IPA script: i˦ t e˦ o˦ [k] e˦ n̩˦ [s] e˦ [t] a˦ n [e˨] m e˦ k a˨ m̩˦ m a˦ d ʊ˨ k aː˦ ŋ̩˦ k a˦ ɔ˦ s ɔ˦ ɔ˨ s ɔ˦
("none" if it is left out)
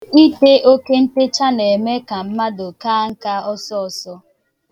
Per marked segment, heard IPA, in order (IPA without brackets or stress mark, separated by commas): k, t, t͡ʃ, e˨